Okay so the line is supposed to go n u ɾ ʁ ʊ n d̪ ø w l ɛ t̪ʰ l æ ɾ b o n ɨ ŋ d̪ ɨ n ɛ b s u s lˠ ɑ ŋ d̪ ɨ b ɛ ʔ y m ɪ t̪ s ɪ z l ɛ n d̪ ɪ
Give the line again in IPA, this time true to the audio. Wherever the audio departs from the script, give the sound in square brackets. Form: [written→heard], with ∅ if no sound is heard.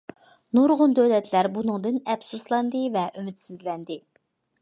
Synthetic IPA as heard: n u ɾ ʁ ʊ n d̪ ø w l ɛ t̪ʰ l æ ɾ b [o→u] n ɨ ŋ d̪ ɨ n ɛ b s u s lˠ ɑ [ŋ→n] d̪ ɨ [b→v] ɛ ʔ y m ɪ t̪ s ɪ z l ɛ n d̪ ɪ